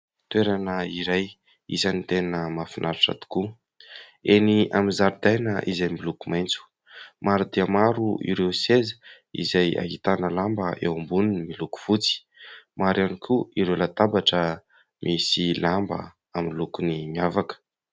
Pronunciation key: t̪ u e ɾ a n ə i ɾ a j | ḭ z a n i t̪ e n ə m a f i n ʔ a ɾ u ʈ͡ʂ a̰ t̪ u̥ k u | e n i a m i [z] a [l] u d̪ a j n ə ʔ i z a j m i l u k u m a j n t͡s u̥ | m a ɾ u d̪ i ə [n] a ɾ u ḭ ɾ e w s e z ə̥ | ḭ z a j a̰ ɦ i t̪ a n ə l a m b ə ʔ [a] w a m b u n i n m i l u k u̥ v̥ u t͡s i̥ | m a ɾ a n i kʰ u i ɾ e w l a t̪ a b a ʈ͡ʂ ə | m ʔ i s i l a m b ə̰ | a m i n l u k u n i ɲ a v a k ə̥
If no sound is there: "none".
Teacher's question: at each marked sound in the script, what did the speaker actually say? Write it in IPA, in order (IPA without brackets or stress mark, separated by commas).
z, ɾ, m, e